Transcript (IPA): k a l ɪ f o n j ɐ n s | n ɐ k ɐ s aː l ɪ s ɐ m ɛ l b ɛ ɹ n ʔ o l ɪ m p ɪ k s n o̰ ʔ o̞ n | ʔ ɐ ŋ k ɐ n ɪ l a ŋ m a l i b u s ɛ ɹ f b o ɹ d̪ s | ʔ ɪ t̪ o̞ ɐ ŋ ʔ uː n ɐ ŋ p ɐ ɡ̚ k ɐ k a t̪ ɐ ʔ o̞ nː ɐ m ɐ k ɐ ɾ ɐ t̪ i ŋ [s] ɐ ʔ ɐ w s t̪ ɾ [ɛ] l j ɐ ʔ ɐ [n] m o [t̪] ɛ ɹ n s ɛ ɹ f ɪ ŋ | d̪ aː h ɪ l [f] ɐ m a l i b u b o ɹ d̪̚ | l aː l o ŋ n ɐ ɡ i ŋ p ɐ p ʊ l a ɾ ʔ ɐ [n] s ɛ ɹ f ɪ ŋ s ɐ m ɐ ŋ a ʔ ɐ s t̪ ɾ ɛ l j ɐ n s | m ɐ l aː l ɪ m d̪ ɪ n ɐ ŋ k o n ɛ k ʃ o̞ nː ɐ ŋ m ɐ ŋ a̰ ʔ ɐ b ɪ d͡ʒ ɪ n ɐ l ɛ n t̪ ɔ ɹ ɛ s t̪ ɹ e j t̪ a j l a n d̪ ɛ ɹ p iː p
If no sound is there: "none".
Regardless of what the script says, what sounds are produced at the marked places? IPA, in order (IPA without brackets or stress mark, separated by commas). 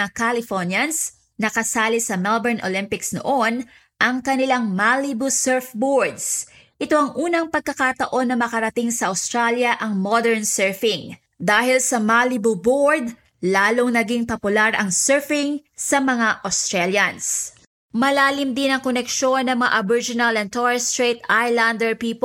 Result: s, a, ŋ, d̪, s, ŋ